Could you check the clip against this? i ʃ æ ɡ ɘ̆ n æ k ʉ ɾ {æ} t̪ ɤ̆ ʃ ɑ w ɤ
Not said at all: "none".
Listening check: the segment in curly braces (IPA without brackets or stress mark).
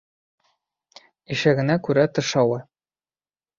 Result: æ